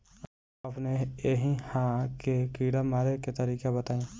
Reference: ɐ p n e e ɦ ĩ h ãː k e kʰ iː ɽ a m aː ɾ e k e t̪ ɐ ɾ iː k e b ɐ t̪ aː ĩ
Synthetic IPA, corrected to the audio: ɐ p n e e ɦ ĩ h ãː k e k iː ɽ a m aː ɾ e k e t̪ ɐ ɾ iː k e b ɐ t̪ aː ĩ

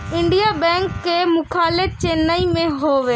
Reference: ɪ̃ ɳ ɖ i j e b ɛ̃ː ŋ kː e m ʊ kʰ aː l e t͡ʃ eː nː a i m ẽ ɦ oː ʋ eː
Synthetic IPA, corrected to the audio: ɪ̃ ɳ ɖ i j a b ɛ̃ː ŋ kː e m ʊ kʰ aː l e t͡ʃ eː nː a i m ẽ ɦ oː ʋ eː

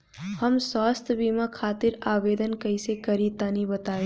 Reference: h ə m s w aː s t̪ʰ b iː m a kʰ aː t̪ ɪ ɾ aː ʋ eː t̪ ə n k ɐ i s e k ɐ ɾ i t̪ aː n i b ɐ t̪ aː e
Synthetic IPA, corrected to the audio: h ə m s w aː s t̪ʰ b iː m a kʰ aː t̪ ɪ ɾ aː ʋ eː d̪ ə n k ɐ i s e k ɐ ɾ i t̪ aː n i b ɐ t̪ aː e

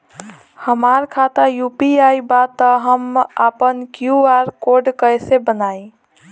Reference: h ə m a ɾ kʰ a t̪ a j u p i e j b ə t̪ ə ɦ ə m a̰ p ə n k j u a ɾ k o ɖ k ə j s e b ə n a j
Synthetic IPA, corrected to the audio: h ə m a ɾ kʰ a t̪ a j u p i a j b a t̪ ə ɦ ə m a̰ p ə n k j u a ɾ k o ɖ k ə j s e b ə n a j

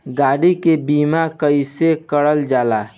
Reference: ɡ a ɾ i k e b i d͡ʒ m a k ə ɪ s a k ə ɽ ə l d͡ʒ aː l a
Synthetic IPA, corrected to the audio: ɡ a ɽ i k e b i m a k ə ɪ s e k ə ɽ ə l d͡ʒ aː l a

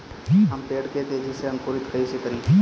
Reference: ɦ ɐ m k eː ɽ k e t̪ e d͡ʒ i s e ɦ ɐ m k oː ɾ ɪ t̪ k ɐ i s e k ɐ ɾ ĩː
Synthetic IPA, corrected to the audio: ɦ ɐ m p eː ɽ k e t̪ e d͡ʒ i s e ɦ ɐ m k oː ɾ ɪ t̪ k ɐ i s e k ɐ ɾ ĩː

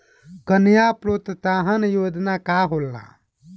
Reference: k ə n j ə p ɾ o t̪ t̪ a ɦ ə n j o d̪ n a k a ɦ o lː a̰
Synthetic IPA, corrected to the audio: k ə n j a p ɾ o t̪ t̪ a ɦ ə n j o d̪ n a k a ɦ o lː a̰

